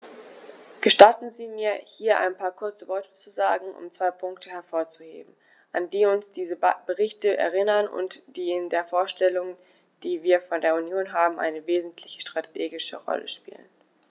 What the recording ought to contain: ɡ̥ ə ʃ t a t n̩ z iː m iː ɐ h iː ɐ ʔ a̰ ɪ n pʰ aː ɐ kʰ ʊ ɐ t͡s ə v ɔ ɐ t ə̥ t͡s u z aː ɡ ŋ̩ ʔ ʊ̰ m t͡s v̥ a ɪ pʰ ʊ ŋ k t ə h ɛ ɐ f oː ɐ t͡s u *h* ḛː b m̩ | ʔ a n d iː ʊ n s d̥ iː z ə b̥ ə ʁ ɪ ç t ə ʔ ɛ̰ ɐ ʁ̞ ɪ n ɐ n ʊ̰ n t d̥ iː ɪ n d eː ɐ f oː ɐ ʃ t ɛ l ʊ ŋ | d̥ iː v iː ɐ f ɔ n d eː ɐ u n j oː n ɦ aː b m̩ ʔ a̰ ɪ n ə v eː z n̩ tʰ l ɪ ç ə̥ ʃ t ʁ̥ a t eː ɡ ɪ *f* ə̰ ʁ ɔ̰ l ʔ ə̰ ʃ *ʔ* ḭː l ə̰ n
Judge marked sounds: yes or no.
yes, no, no

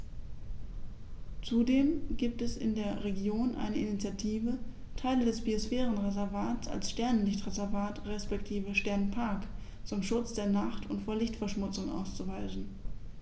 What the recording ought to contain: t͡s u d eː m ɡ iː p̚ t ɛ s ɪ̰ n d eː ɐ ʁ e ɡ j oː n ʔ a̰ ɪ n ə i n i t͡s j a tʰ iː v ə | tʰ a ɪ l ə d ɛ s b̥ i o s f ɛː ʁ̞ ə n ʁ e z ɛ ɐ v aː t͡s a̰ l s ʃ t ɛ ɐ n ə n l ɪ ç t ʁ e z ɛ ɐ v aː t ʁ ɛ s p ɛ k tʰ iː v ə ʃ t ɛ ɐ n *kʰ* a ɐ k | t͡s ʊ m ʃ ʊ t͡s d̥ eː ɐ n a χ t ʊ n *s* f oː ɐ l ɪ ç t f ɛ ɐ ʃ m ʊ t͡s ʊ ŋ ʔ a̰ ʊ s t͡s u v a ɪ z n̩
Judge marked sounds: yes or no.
no, no

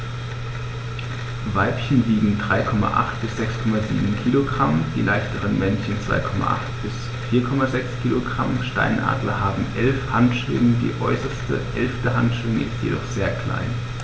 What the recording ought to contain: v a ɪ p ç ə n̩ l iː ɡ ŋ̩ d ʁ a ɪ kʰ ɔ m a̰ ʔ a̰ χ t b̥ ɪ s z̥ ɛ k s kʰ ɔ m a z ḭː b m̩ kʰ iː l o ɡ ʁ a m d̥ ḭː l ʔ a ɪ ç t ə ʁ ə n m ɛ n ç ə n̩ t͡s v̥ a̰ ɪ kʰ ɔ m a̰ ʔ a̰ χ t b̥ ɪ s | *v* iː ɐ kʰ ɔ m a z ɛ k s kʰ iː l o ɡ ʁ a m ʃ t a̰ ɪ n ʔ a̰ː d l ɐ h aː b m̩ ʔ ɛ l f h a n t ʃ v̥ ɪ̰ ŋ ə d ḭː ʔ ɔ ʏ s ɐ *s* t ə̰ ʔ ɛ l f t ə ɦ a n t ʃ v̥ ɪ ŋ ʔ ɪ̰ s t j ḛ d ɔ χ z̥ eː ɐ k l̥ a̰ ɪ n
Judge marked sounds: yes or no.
no, yes

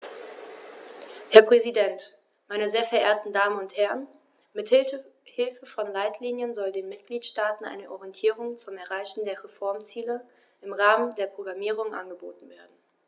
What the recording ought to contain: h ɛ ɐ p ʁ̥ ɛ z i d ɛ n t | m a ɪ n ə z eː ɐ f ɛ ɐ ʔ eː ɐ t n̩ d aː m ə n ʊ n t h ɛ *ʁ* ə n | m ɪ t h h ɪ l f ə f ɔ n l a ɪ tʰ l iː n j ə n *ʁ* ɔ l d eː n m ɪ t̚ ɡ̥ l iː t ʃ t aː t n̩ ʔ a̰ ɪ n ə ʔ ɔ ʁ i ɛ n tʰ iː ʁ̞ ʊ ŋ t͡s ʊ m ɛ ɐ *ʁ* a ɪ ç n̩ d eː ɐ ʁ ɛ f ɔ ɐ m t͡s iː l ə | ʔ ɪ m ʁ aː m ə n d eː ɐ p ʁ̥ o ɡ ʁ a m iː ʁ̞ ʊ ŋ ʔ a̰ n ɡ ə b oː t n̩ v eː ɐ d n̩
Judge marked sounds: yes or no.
yes, no, yes

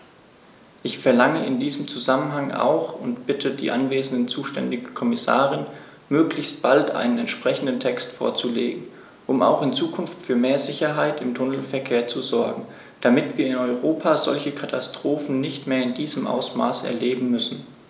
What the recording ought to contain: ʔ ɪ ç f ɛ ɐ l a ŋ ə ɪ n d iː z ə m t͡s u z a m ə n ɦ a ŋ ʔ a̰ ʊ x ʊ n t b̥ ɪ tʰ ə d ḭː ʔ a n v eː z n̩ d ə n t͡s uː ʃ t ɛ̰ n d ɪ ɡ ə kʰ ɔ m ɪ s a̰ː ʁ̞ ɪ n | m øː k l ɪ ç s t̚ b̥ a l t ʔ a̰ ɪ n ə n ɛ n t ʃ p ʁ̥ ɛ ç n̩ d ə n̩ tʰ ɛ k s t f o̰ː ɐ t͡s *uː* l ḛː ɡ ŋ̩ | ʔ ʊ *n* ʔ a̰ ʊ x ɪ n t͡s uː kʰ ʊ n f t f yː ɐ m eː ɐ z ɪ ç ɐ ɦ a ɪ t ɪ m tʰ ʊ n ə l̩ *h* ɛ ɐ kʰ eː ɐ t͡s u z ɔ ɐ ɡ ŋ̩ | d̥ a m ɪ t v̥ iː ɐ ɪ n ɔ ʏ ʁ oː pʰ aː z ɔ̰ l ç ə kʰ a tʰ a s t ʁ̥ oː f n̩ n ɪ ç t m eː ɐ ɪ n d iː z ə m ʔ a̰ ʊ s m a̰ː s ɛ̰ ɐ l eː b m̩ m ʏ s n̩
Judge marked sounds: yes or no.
no, no, no

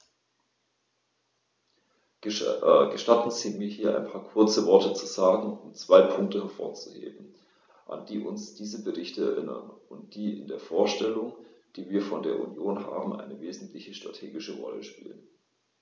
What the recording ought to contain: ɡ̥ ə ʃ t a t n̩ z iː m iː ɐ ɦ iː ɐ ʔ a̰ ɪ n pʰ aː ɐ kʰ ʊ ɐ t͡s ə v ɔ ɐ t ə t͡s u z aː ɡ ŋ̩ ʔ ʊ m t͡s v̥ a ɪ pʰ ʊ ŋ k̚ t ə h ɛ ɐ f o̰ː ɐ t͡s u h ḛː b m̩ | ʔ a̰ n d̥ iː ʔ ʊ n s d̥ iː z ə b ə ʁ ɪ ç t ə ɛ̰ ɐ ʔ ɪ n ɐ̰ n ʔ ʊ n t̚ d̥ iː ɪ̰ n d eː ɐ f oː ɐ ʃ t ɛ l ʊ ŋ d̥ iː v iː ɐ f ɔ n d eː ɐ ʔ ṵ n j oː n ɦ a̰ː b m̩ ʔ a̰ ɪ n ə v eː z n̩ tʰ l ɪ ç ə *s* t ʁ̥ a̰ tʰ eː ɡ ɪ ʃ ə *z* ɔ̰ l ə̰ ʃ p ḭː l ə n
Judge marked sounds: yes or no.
no, no

